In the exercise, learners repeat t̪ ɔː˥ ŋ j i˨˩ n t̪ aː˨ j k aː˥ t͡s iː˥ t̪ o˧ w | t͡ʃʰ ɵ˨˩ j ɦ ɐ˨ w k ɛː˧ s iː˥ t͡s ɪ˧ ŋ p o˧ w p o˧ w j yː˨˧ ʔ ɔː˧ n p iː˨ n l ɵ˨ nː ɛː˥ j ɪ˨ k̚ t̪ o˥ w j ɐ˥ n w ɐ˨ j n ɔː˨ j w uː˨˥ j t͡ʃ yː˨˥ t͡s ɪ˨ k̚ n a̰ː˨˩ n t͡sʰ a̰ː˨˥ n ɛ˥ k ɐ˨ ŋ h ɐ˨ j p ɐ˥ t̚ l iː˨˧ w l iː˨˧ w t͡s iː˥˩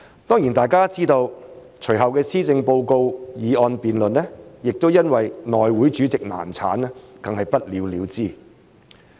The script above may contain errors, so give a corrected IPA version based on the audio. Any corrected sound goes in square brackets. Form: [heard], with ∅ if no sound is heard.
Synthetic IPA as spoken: t̪ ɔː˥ ŋ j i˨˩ n t̪ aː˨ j k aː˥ t͡s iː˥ t̪ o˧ w | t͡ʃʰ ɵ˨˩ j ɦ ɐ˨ w k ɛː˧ s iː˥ t͡s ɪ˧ ŋ p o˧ w [k] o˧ w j [iː˨˧] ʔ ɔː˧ n p iː˨ n l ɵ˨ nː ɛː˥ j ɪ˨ k̚ t̪ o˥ w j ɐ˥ n w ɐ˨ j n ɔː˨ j w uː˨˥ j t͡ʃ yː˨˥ t͡s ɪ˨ k̚ n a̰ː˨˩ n t͡sʰ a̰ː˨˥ n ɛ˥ k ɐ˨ ŋ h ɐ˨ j p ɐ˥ t̚ l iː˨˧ w l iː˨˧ w t͡s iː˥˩